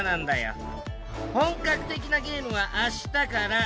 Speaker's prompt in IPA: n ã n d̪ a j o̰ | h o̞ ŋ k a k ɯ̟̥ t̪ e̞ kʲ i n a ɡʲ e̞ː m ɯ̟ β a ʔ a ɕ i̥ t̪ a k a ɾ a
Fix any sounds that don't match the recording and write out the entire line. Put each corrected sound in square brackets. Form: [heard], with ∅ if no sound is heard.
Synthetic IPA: n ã n d̪ a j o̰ | h [õ̞] ŋ k a k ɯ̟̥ t̪ e̞ kʲ i n a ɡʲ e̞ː m ɯ̟ β a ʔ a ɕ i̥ t̪ a k a ɾ a